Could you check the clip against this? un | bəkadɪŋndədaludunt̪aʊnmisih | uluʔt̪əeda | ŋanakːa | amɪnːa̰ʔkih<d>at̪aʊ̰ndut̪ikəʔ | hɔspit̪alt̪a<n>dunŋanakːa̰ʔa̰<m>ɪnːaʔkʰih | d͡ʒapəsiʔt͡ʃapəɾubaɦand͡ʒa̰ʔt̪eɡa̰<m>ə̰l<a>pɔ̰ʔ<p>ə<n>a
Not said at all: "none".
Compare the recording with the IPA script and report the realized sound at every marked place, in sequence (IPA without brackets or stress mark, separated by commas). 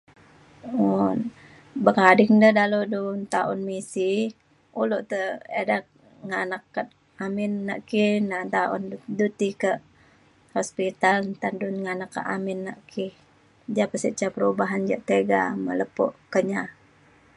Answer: n, n, m, m, ə, k, ɲ